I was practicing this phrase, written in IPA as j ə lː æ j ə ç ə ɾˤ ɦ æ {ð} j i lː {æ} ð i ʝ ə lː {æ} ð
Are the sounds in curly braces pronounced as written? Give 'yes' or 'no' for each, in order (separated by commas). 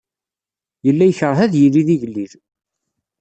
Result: yes, no, no